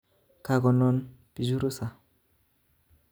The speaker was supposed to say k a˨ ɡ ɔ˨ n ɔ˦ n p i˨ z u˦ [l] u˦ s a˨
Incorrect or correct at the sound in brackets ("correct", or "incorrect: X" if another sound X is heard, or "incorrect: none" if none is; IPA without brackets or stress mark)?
incorrect: ɾ